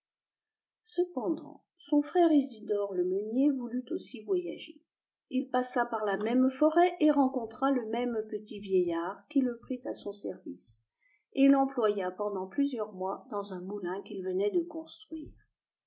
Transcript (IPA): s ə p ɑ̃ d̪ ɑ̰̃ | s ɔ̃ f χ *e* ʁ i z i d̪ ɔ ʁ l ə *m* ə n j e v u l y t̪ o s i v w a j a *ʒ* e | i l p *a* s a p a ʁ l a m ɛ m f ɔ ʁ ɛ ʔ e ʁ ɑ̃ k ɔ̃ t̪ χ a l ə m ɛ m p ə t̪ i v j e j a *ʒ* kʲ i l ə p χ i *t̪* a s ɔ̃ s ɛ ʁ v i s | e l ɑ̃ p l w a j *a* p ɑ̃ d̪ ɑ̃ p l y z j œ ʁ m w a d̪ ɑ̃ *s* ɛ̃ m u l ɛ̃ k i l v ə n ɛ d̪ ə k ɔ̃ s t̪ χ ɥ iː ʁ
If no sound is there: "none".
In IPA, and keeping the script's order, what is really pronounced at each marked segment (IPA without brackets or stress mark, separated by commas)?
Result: ɛ, m, ʒ, a, ʁ, t̪, a, z